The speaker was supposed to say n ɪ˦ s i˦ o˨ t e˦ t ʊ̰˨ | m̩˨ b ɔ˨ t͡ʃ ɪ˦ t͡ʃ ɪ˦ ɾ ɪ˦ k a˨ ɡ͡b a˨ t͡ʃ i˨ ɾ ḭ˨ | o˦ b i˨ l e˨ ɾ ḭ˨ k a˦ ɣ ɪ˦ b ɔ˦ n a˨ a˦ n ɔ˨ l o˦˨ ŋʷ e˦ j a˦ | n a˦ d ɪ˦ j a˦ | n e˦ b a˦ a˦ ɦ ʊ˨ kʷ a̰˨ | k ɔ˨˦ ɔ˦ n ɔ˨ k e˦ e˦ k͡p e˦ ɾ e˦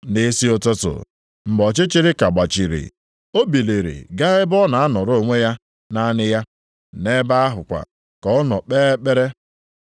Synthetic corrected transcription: n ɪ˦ s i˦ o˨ t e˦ t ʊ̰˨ | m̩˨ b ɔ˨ t͡ʃ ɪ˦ t͡ʃ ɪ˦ ɾ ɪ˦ k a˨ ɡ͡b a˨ t͡ʃ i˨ ɾ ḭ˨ | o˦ b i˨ l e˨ ɾ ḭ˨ ɡ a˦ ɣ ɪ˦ b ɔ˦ n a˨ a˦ n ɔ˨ ɾ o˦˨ ŋʷ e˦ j a˦ | n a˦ n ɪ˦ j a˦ | n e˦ b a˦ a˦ ɦ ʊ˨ kʷ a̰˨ | k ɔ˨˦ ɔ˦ n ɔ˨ k͡p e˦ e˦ k͡p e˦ ɾ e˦